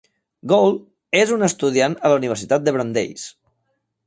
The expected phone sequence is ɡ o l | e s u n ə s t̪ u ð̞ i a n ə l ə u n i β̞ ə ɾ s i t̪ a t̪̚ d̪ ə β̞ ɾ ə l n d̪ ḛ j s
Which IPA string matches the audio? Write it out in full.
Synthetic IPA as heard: ɡ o l | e z u n ə s t̪ u ð̞ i a n ə l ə u n i β̞ ə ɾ s i t̪ a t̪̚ d̪ ə β̞ ɾ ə n d̪ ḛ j s

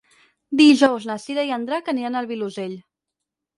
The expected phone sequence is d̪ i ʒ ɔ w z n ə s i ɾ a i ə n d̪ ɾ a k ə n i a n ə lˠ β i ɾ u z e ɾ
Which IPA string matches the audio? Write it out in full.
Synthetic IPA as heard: d̪ i ʒ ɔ w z n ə s i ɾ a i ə n d̪ ɾ a k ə n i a n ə lˠ β i l u z e ʎ

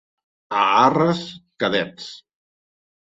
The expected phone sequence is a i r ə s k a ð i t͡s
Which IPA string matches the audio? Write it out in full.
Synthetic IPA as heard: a a r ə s k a ð ɛ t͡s

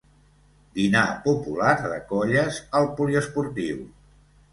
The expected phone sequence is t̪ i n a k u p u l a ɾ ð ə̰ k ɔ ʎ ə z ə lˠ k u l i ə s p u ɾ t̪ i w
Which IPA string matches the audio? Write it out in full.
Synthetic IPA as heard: d̪ i n a p u p u l a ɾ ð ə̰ k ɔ ʎ ə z ə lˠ p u l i ə s p u ɾ t̪ i w

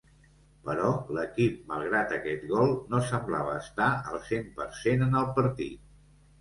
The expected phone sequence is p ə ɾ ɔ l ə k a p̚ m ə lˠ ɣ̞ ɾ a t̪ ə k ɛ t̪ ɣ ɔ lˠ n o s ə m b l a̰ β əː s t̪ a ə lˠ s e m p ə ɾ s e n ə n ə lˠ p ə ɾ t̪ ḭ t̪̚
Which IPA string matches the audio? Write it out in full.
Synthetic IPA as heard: p ə ɾ ɔ l ə k i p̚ m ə lˠ ɣ̞ ɾ a t̪ ə k ɛ t̪ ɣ ɔ lˠ n o s ə m b l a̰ β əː s t̪ a ə lˠ s e m p ə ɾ s e n ə n ə lˠ p ə ɾ t̪ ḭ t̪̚

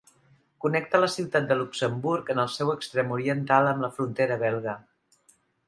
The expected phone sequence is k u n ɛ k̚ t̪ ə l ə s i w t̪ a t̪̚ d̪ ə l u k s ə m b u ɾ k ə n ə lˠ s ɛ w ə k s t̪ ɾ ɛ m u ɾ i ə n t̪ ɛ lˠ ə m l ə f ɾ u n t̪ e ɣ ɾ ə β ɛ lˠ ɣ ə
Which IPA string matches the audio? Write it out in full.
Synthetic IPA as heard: k u n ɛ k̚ t̪ ə l ə s i w t̪ a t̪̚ d̪ ə l u k s ə m b u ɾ k ə n ə lˠ s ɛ w ə k s t̪ ɾ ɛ m u ɾ i ə n t̪ a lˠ ə m l ə f ɾ u n t̪ e ɾ ə β ɛ lˠ ɣ ə

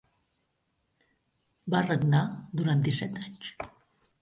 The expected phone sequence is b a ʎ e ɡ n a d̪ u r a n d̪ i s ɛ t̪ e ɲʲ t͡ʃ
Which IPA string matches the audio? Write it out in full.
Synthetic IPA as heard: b a r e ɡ n a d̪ u ɾ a n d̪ i s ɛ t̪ a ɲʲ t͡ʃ

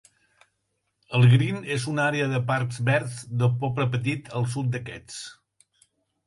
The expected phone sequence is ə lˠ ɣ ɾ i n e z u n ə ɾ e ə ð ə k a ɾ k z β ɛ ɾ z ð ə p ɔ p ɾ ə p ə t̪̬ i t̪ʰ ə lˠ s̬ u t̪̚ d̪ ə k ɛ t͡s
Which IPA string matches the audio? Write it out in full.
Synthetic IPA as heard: ə lˠ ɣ ɾ i n e z u n a ɾ e ə ð ə p a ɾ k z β ɛ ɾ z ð ə p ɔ p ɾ ə p ə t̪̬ i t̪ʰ ə lˠ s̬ u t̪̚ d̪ ə k ɛ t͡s

